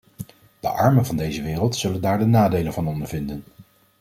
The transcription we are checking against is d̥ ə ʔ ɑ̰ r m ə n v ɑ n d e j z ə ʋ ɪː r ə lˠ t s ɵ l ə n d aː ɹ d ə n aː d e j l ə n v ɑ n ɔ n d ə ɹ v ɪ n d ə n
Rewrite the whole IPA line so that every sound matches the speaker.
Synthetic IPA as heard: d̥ ə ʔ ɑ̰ ɹ m ə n v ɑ n d e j z ə ʋ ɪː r ə lˠ t s ɵ l ə n d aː ɹ d ə n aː d e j l ə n v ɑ n ɔ n d ə ɹ v ɪ n d ə n